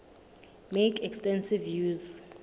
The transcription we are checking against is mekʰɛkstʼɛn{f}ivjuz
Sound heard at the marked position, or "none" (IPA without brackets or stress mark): s